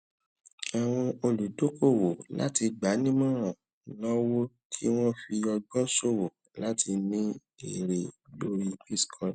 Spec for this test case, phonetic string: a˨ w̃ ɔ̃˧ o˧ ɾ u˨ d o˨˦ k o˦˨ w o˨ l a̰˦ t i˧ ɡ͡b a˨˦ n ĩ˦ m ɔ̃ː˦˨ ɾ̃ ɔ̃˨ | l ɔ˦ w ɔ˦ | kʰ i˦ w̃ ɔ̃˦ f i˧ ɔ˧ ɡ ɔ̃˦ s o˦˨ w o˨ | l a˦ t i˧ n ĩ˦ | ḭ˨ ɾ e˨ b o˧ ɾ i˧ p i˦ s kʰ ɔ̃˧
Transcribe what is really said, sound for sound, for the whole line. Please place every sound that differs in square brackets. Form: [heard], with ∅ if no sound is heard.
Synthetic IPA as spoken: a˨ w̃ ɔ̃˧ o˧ [l] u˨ d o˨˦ k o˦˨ w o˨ l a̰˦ t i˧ ɡ͡b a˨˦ n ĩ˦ m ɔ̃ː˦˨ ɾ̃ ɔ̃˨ | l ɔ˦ w [o˦] | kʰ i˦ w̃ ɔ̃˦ f i˧ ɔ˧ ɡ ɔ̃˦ s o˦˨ w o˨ | l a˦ t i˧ n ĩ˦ | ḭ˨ ɾ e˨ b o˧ ɾ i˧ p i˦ s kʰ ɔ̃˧